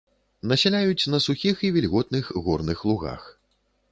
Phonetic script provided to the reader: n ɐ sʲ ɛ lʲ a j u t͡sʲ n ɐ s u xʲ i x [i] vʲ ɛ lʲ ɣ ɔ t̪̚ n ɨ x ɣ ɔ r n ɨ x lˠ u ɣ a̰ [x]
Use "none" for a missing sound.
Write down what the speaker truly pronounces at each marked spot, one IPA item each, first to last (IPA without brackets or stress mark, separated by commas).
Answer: i, x